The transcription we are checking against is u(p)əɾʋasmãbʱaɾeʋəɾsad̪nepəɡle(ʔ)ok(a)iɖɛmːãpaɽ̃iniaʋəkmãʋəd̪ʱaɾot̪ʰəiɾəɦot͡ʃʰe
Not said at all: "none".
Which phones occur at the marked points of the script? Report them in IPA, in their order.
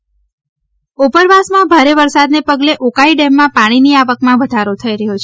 p, ʔ, a

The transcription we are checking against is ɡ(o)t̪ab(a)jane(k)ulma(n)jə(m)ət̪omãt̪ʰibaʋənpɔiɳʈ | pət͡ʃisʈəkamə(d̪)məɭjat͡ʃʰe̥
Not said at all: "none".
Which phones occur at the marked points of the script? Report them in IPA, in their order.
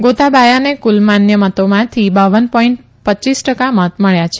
o, a, k, n, m, t̪

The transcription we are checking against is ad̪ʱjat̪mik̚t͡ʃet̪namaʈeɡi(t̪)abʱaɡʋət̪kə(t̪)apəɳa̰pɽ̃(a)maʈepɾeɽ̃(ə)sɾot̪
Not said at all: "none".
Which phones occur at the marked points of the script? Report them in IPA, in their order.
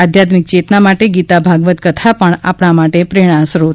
t̪, t̪ʰ, a, a

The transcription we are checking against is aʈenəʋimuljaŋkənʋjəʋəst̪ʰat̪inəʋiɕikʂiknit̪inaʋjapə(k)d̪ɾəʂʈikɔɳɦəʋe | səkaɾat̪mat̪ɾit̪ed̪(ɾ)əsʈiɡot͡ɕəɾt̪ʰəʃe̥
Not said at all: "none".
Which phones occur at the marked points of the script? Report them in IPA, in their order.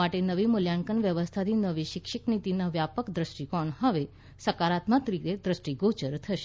k, ɾ

